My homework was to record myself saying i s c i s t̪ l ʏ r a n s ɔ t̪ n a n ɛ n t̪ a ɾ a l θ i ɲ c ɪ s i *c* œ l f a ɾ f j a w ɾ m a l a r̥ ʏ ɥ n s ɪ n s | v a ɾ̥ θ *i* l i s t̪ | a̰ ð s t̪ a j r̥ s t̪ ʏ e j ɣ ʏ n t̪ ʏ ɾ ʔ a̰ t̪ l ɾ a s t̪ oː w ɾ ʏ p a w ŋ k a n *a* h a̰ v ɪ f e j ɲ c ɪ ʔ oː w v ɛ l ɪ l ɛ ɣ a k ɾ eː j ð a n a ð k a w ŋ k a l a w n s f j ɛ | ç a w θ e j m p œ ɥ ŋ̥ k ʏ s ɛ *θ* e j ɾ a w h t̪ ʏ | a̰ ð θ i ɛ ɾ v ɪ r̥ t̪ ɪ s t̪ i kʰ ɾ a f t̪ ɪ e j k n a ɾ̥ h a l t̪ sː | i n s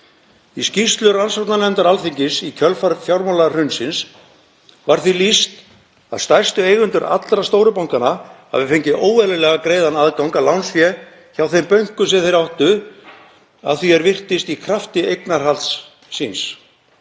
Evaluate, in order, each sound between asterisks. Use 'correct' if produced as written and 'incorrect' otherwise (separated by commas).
incorrect, correct, correct, correct